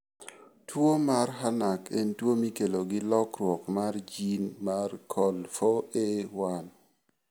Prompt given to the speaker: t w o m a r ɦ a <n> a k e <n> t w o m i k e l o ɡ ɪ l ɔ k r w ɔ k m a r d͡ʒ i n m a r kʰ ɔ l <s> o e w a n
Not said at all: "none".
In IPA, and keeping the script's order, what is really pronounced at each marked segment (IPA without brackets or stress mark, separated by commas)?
n, n, f